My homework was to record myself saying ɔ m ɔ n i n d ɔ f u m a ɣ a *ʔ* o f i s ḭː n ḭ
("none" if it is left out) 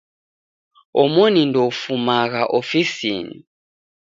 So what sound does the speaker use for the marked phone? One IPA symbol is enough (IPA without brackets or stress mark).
ʔ